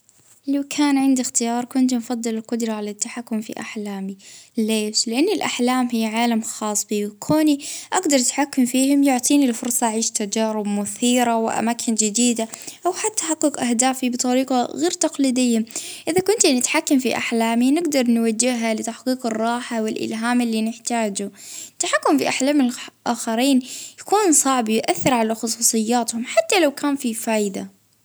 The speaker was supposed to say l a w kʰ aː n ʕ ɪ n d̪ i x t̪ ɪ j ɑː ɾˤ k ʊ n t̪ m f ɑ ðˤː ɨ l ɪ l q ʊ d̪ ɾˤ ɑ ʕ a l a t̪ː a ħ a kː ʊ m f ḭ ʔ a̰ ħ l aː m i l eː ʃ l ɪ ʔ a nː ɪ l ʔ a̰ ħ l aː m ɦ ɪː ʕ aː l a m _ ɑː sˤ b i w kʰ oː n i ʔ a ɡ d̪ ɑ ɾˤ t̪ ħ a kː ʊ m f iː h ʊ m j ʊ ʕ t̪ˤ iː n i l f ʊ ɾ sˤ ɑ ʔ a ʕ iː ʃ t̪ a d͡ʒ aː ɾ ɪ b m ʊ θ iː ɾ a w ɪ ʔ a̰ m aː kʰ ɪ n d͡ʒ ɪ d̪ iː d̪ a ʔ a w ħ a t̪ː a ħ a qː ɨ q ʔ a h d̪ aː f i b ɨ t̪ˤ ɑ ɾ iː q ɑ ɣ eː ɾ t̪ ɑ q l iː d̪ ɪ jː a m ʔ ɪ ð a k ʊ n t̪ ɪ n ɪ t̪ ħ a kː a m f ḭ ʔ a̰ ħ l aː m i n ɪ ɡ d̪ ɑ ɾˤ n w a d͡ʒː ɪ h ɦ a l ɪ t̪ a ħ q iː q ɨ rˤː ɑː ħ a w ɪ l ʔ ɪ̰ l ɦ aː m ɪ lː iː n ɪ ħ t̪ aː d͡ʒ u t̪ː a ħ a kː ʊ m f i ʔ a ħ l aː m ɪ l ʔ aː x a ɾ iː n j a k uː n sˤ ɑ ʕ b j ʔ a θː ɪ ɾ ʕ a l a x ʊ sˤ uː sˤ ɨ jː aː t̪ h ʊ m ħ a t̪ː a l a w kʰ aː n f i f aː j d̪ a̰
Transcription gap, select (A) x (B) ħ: A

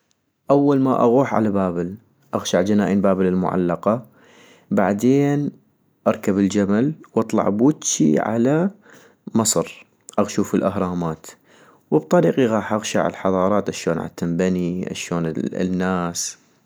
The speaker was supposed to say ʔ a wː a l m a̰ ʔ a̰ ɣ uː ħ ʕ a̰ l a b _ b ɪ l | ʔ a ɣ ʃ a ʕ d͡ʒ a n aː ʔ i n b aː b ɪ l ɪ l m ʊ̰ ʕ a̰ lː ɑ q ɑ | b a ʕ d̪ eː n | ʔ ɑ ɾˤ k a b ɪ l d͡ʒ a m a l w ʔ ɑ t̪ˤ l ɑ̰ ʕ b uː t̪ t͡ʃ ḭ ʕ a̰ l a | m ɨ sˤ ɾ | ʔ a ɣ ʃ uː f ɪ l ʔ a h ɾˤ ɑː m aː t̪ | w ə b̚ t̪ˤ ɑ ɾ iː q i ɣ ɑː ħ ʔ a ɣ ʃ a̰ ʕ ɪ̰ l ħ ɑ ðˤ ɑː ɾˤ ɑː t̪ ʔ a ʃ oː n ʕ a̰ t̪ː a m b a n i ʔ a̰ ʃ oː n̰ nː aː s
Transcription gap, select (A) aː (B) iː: A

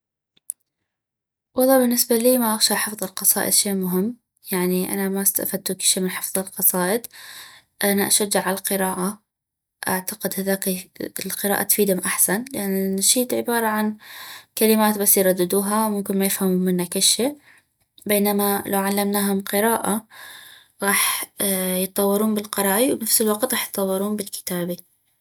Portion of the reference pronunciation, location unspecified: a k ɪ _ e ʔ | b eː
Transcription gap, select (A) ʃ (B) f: A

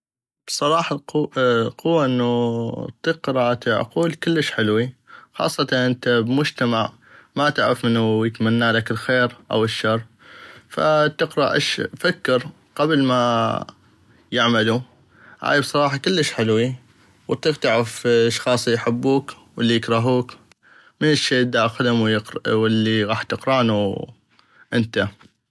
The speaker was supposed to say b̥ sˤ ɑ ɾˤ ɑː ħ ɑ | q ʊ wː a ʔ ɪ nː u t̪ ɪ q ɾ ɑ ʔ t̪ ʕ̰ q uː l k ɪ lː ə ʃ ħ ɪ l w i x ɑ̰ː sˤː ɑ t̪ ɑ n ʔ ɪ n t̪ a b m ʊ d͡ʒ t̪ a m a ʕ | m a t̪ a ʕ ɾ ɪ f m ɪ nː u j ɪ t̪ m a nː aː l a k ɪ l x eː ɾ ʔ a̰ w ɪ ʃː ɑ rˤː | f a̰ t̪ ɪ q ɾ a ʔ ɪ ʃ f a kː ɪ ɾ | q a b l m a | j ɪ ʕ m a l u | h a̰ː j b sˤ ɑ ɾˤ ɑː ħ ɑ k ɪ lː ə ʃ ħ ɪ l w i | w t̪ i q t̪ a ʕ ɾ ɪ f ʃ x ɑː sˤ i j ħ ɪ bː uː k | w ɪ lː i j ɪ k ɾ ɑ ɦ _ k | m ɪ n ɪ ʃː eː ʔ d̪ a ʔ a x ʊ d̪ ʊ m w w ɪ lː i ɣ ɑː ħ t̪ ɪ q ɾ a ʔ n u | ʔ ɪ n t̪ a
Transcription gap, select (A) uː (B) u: A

